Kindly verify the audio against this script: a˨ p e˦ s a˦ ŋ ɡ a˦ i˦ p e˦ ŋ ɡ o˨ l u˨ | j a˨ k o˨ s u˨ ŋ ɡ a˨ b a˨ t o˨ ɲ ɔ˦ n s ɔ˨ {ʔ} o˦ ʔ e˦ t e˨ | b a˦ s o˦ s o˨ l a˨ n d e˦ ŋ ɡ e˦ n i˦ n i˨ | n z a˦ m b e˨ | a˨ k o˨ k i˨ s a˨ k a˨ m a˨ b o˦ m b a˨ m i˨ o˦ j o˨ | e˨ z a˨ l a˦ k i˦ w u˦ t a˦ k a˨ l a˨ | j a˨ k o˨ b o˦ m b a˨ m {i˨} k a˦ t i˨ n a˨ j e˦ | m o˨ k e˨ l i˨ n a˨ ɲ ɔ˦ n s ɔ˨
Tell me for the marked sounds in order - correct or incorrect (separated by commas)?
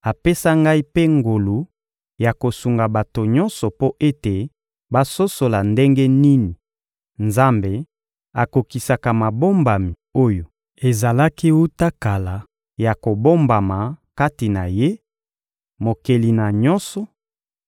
incorrect, incorrect